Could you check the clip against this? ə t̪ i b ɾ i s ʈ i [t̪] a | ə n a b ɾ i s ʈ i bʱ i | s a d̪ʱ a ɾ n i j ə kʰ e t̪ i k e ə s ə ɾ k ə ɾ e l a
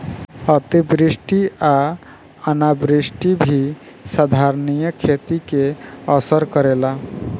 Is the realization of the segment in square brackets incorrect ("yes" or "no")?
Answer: yes